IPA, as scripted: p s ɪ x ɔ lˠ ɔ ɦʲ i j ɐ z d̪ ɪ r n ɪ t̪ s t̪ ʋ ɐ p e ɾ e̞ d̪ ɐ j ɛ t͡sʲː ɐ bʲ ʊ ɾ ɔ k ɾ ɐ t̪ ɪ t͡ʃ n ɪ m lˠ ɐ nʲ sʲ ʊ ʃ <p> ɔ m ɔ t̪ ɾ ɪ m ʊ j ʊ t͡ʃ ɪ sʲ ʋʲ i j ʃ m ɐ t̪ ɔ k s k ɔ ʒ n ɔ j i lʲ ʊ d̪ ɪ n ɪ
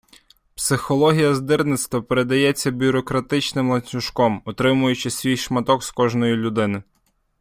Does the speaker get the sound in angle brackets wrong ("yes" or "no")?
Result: yes